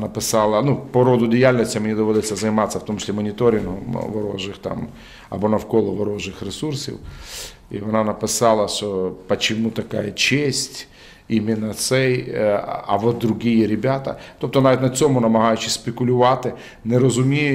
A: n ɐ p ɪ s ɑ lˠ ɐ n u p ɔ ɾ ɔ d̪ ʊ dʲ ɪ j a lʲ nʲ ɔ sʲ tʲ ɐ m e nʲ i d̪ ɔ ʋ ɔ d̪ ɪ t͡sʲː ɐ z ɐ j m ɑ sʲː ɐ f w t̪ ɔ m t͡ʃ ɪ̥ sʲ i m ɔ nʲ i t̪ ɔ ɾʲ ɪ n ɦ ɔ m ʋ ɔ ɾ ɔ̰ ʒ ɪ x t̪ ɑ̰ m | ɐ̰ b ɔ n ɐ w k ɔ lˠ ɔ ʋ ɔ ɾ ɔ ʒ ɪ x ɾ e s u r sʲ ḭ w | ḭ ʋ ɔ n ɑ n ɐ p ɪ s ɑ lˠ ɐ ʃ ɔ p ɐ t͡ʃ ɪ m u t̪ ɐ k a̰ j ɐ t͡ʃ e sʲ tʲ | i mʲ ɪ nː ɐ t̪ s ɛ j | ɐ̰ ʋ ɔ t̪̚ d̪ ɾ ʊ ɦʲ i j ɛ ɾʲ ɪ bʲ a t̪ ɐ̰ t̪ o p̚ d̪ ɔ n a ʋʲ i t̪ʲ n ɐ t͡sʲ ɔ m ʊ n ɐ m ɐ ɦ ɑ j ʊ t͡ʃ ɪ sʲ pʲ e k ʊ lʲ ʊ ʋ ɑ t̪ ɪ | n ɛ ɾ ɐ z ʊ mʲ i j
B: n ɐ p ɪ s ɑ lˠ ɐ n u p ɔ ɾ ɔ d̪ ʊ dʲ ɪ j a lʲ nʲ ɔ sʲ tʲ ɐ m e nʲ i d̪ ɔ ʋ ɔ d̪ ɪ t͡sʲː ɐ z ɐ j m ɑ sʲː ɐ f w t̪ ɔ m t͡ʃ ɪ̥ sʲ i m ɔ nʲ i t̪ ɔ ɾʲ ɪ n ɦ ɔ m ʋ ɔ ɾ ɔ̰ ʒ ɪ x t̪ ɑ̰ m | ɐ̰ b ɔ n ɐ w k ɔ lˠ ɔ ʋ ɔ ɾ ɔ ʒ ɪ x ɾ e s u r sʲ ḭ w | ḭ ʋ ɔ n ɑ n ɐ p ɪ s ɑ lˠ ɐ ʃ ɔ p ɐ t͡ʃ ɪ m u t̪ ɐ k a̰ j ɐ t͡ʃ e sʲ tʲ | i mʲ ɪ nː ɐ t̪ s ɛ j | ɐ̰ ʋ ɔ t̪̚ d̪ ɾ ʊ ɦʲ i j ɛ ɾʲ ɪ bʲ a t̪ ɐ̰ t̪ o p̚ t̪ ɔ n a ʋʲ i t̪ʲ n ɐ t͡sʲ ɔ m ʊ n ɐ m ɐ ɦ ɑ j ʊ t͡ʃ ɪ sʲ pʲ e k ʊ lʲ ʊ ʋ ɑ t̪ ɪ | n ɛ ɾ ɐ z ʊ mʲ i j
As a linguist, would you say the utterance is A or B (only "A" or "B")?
B